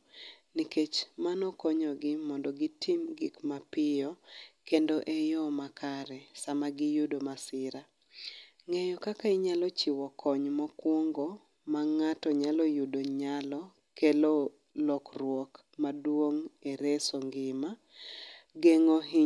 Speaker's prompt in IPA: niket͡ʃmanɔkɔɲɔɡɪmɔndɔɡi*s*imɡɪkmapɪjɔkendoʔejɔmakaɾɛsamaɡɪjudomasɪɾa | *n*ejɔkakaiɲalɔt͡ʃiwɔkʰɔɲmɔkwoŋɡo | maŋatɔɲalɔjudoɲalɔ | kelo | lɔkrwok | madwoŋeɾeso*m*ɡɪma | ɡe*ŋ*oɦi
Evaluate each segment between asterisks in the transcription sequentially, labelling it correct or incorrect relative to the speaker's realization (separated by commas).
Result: incorrect, incorrect, incorrect, correct